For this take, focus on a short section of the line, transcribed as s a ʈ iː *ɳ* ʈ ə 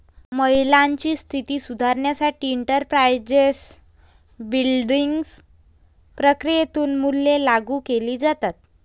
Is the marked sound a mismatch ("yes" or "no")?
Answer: no